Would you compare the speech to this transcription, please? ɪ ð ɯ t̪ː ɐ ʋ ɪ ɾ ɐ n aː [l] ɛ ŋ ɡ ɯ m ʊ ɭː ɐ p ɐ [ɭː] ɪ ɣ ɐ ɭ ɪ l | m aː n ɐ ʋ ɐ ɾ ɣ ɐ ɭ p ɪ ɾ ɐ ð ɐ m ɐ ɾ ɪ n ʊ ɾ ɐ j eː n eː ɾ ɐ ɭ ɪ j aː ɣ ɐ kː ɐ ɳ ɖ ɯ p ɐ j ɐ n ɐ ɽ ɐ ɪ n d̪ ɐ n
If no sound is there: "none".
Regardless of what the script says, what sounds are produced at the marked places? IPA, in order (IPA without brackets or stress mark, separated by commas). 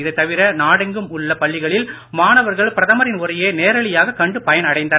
ɽ, ɭː